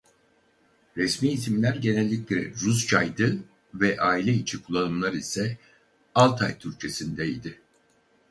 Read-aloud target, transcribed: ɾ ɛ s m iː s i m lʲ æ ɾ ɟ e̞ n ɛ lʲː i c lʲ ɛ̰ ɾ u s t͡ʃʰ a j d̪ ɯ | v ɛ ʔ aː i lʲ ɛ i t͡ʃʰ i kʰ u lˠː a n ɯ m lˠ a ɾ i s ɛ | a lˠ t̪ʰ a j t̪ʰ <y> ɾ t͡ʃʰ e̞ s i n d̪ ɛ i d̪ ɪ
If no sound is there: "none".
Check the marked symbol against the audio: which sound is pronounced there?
y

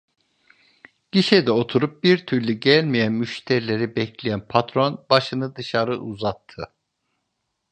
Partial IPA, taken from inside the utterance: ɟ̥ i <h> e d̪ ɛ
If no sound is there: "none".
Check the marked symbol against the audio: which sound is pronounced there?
ʃ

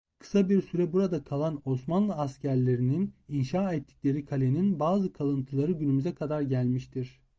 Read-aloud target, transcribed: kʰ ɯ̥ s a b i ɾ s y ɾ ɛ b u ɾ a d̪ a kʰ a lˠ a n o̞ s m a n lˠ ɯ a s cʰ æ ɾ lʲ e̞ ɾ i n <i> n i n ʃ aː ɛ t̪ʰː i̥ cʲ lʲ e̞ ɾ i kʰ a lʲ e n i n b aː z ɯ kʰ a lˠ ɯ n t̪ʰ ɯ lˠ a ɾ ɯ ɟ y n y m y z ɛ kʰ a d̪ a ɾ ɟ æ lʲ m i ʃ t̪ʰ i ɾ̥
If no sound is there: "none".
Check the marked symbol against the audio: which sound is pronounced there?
i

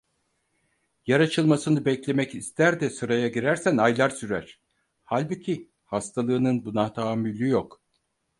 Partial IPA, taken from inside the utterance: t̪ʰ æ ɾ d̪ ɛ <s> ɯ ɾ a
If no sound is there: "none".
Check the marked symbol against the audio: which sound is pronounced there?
s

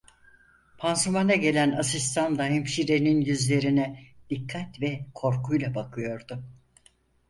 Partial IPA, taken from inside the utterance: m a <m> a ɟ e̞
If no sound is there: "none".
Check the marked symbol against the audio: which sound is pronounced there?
n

